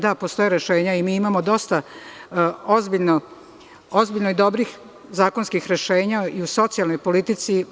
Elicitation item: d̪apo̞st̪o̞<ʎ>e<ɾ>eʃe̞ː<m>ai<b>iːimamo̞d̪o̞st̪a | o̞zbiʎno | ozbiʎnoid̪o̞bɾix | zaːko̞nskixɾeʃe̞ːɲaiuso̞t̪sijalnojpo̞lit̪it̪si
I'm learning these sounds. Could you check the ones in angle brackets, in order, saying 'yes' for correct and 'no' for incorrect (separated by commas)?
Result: no, yes, no, no